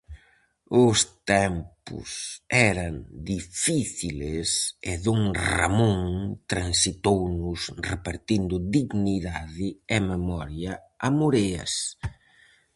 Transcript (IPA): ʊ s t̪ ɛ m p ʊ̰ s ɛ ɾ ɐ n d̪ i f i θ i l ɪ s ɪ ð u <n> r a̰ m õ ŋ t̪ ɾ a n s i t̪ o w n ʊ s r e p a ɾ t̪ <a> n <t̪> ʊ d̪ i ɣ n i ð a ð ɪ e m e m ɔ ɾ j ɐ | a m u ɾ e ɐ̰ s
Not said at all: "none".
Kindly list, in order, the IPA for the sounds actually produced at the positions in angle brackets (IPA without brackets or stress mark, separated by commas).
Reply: ŋ, i, d̪